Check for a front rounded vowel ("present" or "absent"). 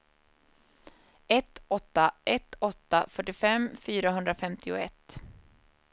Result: present